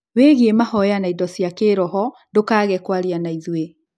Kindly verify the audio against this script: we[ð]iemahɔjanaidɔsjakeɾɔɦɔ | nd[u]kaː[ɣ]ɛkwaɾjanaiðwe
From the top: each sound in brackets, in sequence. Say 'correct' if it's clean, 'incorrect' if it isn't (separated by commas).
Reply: incorrect, incorrect, correct